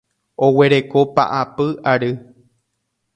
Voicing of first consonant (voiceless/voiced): voiced